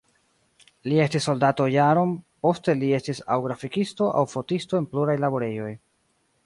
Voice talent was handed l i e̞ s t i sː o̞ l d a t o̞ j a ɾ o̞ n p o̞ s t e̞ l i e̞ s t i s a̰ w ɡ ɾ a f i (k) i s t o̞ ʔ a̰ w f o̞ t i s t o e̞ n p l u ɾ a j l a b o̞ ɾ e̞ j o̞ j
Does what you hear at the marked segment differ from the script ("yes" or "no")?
no